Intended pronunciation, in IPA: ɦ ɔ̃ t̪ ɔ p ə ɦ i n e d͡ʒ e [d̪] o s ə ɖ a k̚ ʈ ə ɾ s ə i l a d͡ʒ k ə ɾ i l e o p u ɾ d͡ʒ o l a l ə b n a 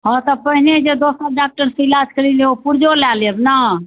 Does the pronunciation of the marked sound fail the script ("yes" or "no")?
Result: no